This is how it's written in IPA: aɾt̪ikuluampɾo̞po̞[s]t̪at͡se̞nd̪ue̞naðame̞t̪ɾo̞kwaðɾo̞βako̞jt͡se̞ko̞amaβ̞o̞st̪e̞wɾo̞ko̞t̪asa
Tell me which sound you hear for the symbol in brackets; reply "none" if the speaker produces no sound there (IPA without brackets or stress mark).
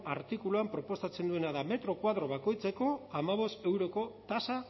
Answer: s